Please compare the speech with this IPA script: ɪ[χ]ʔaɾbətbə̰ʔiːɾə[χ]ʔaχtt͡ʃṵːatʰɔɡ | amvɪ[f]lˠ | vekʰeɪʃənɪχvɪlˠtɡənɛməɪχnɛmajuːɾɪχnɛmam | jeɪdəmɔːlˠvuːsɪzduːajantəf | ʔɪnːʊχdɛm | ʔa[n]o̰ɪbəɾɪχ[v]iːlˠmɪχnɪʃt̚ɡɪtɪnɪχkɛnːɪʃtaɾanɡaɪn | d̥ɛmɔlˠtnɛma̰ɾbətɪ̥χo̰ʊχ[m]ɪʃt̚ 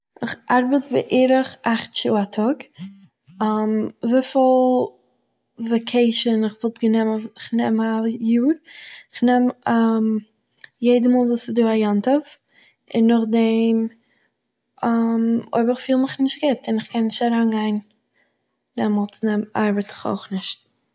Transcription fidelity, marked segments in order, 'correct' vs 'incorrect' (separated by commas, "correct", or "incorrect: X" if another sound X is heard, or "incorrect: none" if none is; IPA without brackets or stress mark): correct, correct, correct, incorrect: m, incorrect: f, incorrect: n